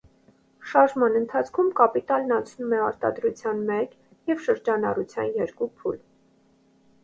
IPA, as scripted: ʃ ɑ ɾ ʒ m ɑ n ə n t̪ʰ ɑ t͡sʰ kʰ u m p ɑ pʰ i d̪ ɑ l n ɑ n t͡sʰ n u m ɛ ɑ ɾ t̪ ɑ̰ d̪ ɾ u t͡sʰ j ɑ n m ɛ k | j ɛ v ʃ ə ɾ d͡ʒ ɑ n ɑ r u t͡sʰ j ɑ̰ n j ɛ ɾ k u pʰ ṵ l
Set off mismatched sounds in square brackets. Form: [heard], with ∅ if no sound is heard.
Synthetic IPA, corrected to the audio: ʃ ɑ ɾ ʒ m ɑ n ə n t̪ʰ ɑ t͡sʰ kʰ u m [k] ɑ [p] i [t̪] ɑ l n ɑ n t͡sʰ n u m ɛ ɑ ɾ t̪ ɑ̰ d̪ ɾ u t͡sʰ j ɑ n m ɛ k | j ɛ v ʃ ə ɾ d͡ʒ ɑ n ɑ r u t͡sʰ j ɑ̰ n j ɛ ɾ k u pʰ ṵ l